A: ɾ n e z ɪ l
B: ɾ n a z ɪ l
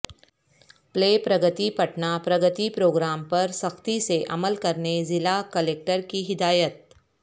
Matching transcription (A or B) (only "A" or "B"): A